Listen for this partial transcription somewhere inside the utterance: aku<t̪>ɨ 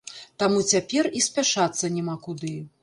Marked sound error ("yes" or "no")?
yes